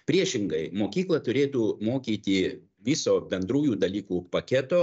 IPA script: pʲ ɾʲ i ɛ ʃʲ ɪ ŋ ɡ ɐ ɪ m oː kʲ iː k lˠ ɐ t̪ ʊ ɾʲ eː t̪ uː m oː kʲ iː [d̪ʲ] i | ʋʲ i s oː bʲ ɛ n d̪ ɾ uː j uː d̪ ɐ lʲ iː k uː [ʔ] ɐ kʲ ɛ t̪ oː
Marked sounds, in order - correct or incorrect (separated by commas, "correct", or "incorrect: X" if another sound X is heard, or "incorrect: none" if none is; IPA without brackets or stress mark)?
incorrect: t̪ʲ, incorrect: p